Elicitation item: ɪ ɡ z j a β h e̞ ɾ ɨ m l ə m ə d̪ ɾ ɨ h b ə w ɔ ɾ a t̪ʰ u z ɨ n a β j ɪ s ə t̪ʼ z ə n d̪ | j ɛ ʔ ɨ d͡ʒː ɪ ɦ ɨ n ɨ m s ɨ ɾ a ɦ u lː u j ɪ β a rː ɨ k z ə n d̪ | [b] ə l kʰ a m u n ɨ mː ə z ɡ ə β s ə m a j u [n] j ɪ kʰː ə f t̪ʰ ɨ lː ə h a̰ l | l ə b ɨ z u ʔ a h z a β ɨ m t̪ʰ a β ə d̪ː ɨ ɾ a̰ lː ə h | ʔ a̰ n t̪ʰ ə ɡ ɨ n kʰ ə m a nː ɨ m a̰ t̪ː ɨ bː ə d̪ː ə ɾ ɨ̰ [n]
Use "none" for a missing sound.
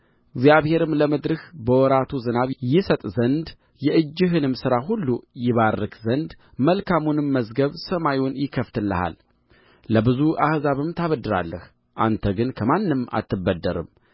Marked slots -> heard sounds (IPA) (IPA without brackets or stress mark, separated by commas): m, n, m